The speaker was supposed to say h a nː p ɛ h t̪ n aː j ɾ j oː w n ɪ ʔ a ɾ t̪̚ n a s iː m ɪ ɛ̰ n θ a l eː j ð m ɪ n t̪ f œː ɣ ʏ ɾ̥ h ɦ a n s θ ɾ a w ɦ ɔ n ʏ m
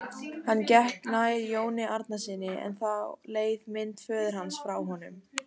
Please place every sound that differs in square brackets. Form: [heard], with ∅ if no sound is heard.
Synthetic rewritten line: h a nː [c] ɛ h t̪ n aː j ɾ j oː w n ɪ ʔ a ɾ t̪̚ n a s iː [n] ɪ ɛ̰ n θ a l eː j ð m ɪ n t̪ f œː [ð] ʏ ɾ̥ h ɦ a n s [f] ɾ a w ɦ ɔ n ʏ m